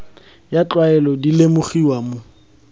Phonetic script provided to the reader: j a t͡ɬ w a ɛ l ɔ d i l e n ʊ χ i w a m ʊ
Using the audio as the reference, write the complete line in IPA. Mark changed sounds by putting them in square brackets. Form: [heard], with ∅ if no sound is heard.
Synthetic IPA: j a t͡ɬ w a ɛ l ɔ d i l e [m] ʊ χ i w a m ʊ